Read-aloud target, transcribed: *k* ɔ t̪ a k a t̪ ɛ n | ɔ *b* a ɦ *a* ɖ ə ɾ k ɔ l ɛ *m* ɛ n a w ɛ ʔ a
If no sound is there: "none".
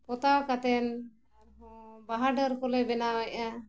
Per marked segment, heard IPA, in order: p, b, a, b

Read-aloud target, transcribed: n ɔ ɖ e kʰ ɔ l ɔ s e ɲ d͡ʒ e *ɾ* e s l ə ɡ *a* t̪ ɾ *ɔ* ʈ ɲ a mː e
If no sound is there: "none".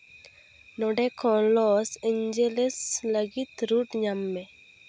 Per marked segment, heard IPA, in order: l, i, u

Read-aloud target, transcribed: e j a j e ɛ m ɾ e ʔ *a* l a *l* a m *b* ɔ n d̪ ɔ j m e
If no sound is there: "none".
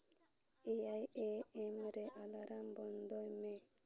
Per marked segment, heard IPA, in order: a, ɾ, b

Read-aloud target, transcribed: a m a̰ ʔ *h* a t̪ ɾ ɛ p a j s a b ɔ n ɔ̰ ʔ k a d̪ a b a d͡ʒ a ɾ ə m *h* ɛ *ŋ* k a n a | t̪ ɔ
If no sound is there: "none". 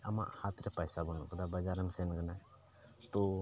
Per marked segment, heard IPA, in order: h, s, n

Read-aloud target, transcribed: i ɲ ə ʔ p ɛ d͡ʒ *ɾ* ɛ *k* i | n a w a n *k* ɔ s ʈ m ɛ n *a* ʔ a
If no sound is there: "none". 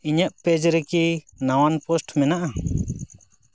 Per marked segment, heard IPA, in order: ɾ, k, p, a

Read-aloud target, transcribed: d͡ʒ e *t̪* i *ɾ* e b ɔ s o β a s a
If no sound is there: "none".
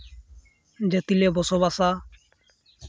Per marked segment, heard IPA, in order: t̪, l

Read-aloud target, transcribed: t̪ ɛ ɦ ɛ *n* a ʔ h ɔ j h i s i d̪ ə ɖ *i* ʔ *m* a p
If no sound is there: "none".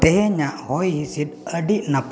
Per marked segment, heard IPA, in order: ɲ, i, n

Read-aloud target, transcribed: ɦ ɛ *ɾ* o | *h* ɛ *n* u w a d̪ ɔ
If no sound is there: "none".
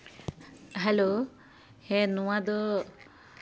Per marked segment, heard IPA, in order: l, h, n

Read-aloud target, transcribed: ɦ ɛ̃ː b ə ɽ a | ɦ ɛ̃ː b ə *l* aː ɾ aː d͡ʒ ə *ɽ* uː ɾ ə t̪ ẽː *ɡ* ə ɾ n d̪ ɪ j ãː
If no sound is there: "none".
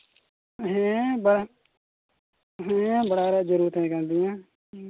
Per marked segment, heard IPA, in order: ɽ, ɾ, k

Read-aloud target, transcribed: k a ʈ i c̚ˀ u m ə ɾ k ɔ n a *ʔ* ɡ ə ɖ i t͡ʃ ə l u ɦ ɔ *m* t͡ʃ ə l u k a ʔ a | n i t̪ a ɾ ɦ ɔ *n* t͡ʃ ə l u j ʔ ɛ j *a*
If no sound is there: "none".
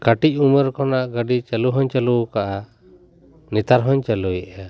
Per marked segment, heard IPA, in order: ʔ, ɲ, ɲ, a

